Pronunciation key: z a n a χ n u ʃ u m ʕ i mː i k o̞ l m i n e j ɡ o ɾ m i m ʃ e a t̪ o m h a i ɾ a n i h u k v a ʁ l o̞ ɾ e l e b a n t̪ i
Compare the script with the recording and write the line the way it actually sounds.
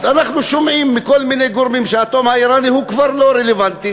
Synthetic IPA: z a n a χ n u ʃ o m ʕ i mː i k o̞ l m i n e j ɡ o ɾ m i m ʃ e a t̪ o m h a i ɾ a n i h u k v a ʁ l o̞ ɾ e l e v a n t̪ i